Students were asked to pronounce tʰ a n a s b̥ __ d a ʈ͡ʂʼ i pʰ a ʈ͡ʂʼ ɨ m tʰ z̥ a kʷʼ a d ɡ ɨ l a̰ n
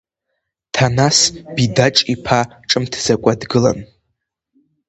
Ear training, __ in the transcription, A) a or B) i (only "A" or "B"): B